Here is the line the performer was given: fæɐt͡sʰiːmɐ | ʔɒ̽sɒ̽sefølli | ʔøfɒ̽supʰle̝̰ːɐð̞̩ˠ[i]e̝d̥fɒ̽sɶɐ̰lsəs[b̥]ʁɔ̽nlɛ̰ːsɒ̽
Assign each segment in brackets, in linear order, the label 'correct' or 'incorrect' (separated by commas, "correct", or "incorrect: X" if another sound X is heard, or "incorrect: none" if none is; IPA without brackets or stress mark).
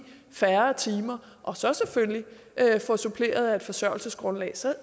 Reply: incorrect: æ, incorrect: ɡ̥